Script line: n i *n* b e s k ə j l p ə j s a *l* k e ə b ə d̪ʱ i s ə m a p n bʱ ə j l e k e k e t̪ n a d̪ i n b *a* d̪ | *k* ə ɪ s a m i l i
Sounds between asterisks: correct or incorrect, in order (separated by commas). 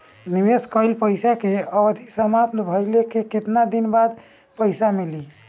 incorrect, incorrect, correct, incorrect